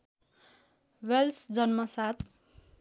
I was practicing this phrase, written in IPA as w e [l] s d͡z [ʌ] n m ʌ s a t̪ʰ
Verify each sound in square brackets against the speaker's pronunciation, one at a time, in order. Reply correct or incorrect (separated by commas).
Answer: correct, correct